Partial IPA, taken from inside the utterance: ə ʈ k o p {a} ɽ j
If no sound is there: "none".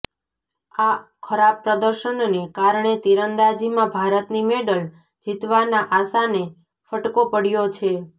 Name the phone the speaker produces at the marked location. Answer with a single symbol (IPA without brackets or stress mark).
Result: ə